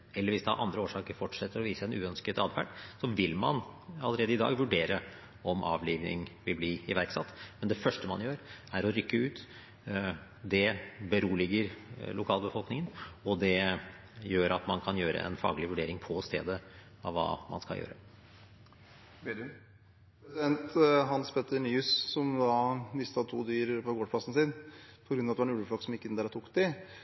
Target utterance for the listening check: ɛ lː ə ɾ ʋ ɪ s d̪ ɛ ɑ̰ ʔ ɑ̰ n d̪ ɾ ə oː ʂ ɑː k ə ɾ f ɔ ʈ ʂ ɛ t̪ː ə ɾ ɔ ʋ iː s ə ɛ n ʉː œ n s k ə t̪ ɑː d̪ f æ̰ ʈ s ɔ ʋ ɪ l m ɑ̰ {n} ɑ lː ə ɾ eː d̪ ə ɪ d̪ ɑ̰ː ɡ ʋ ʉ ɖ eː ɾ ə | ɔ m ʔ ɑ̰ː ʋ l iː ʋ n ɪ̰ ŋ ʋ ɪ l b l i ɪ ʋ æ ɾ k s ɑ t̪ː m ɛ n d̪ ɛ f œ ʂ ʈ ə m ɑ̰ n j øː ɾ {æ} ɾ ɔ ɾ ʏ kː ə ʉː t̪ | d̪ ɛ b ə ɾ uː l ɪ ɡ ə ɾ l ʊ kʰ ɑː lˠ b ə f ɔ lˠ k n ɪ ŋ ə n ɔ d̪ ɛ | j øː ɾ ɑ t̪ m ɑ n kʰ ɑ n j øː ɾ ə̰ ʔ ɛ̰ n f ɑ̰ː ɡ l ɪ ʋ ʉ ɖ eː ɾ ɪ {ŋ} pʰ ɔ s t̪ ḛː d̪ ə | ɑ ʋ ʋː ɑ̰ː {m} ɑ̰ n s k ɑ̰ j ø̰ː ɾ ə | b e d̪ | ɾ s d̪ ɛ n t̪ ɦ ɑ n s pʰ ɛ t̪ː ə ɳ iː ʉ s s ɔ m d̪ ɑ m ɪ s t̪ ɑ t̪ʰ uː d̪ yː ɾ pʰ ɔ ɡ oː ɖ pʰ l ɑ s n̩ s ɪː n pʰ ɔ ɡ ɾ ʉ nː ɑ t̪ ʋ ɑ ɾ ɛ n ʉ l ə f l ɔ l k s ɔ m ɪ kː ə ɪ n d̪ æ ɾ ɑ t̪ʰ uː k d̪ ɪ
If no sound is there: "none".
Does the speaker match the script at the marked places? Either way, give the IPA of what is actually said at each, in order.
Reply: n, æ, ŋ, m

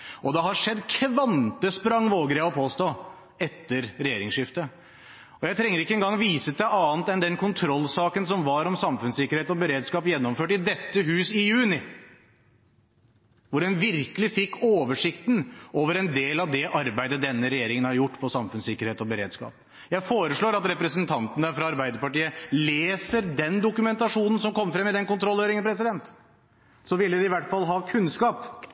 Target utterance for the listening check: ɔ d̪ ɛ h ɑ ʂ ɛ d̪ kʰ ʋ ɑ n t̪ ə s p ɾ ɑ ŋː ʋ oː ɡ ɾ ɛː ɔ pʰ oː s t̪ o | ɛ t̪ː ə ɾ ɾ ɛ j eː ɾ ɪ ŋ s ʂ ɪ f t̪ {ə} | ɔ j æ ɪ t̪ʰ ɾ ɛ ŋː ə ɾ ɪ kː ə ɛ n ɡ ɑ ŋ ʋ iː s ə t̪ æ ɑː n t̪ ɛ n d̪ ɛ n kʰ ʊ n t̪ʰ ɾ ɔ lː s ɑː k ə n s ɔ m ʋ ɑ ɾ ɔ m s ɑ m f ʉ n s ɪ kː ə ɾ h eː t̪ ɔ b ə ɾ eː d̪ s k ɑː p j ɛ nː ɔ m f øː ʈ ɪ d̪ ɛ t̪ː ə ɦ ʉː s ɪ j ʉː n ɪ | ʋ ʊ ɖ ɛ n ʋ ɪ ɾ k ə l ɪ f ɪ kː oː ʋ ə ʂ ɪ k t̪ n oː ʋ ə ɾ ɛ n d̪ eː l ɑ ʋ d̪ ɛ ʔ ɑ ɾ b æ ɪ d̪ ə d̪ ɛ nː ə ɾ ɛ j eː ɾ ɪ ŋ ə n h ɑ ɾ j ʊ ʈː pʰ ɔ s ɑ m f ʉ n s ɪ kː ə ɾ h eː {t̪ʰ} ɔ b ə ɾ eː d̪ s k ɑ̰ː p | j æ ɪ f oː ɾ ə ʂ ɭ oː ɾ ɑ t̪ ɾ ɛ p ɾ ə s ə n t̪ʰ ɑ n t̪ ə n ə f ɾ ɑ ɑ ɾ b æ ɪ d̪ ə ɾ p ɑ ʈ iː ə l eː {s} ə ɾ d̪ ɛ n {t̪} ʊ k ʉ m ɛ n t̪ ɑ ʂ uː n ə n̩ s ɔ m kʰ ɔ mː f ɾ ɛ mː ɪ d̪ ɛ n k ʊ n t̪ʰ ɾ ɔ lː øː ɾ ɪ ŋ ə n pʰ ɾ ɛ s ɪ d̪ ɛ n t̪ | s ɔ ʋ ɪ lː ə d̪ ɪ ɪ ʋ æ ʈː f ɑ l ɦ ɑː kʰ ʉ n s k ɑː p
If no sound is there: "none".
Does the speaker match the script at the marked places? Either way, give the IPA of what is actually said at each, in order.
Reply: ə, t̪, s, d̪

